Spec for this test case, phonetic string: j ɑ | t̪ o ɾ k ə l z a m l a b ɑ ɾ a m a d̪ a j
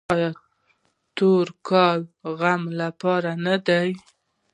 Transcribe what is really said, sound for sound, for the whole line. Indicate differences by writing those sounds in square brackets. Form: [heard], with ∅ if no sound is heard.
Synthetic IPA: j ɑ | t̪ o ɾ k [ɑ] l [ɣ] a m l a [p] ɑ ɾ a [n] a d̪ a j